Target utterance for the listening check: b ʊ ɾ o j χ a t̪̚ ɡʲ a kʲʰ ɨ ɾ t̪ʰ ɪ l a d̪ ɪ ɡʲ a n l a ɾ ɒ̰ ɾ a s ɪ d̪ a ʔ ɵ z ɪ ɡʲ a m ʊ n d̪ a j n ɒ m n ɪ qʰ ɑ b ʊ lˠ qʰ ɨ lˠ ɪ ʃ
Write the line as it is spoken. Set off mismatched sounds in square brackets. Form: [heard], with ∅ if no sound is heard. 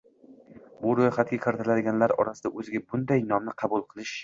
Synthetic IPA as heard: b ʊ ɾ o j χ a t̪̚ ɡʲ a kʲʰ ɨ ɾ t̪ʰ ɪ l a d̪ ɪ ɡʲ a n l a ɾ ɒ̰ ɾ a s ɪ d̪ a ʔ ɵ z ɪ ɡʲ a [b] ʊ n d̪ a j n ɒ m n ɪ qʰ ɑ b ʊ lˠ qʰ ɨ lˠ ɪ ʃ